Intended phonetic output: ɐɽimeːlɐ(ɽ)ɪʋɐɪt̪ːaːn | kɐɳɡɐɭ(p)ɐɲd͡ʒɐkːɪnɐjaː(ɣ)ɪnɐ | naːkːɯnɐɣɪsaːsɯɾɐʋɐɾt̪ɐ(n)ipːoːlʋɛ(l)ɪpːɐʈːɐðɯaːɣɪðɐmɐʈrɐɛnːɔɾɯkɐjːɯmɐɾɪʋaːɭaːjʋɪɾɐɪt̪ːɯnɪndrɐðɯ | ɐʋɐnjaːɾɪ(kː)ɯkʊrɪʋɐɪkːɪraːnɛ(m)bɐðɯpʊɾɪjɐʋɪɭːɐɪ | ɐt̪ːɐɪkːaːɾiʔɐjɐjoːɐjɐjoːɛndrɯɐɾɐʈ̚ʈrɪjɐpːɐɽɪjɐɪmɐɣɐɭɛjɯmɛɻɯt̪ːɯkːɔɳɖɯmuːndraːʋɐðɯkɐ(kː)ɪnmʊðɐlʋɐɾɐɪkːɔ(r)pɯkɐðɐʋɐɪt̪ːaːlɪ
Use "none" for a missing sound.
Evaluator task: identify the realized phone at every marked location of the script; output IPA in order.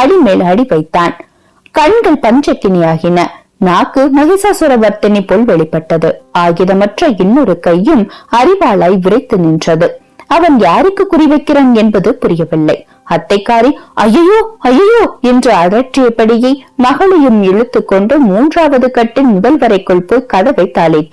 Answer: ɽ, p, ɣ, n, ɭ, kː, n, ʈː, ɭ

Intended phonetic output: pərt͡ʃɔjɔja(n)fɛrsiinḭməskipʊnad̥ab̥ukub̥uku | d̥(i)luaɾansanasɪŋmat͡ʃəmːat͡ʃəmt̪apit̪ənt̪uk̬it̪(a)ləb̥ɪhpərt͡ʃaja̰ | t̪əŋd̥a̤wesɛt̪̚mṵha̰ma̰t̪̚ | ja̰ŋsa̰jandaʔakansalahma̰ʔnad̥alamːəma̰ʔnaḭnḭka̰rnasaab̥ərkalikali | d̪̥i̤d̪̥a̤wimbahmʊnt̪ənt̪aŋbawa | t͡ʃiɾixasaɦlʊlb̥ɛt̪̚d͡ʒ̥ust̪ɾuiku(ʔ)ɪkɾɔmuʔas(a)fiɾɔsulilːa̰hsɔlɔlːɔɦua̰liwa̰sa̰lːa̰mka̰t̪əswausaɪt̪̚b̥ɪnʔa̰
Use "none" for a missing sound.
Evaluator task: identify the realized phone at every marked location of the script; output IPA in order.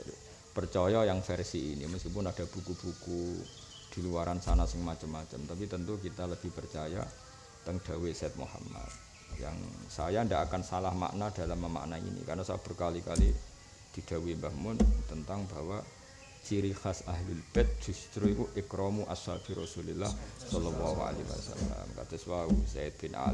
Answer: ŋ, i, a, ʔ, a

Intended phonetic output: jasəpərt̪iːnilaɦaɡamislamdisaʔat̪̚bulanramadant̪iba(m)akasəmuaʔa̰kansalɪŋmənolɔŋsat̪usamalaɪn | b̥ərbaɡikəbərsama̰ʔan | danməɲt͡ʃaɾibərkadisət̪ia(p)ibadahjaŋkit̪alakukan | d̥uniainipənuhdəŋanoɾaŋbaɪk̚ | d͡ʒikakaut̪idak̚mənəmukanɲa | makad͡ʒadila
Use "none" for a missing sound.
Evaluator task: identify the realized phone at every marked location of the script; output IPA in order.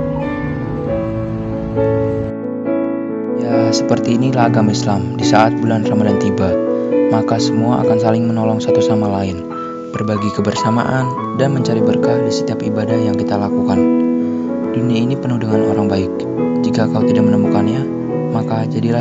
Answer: m, p

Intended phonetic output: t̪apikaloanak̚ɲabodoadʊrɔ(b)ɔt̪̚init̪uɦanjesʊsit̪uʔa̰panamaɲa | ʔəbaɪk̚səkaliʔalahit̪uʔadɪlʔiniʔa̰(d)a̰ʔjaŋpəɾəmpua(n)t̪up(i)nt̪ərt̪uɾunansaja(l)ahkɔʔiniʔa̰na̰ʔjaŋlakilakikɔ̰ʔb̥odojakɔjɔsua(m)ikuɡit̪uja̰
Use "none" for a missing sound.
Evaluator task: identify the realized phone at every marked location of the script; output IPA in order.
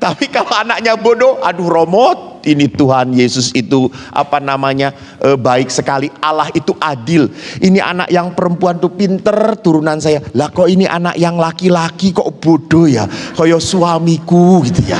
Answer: m, n, n, i, l, m

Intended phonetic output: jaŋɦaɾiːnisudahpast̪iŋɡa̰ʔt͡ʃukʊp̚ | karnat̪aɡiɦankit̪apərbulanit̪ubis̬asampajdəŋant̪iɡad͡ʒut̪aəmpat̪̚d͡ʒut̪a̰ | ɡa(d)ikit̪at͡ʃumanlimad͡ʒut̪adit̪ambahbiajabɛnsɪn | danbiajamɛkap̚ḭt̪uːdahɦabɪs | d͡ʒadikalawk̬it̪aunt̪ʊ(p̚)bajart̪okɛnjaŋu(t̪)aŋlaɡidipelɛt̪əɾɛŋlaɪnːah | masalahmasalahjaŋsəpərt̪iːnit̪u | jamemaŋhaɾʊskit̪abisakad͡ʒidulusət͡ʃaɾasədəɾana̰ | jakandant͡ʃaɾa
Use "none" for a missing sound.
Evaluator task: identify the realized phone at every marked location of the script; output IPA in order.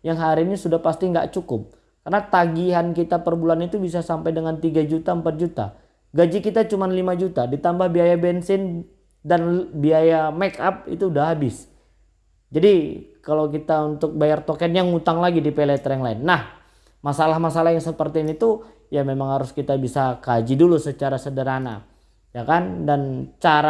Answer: d͡ʒ, k̚, t̪

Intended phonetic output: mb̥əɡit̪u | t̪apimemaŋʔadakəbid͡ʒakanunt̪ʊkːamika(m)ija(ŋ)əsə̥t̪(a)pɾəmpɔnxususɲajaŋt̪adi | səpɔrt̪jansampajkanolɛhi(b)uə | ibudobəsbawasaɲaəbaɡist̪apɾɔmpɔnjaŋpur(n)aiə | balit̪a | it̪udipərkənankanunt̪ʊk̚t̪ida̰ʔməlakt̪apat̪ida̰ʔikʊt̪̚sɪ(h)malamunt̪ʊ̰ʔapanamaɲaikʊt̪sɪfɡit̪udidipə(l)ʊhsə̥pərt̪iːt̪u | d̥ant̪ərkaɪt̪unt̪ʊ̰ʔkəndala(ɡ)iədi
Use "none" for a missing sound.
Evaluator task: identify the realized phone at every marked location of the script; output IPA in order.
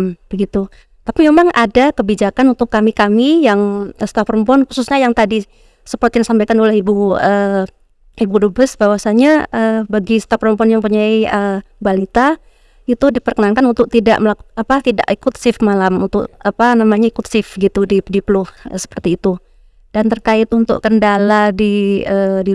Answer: m, ŋ, a, b, ɲ, f, l, d

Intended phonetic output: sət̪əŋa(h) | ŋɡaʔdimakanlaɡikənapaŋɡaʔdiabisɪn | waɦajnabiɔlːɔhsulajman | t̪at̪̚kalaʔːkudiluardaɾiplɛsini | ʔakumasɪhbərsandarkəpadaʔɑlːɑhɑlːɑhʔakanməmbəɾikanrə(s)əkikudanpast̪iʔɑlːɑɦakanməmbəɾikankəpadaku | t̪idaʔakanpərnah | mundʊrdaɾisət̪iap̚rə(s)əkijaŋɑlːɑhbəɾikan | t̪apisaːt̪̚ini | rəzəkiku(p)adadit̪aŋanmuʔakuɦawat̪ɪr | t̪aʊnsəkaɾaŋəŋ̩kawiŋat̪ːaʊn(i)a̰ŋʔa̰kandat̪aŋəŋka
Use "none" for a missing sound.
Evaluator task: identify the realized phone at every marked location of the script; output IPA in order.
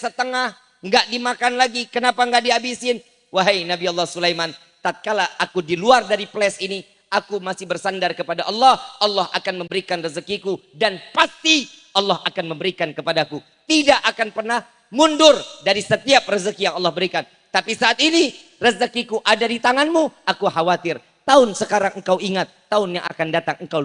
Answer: h, z, z, ʔ, j

